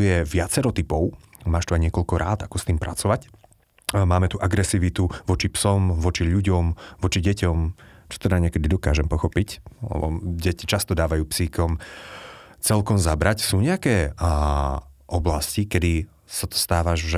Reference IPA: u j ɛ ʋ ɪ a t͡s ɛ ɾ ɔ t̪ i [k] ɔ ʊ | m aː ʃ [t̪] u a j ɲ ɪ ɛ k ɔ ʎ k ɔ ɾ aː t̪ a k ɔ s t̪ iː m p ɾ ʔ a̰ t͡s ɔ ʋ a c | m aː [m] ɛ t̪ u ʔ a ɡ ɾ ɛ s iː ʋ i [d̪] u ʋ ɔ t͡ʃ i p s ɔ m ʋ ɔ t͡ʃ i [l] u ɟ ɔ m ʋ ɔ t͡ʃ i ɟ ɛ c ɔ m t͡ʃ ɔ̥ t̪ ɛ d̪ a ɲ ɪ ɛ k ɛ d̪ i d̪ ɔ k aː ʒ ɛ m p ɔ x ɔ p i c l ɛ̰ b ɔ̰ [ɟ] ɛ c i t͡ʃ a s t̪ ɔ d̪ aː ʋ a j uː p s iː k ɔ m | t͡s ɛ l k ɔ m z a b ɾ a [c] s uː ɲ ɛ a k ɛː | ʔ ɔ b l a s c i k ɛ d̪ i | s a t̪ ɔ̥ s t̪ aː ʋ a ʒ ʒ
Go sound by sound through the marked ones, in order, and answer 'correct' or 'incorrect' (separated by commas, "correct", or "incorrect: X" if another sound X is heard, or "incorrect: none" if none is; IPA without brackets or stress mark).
incorrect: p, correct, correct, incorrect: t̪, incorrect: ʎ, correct, correct